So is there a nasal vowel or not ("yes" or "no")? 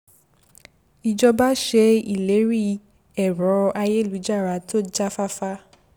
no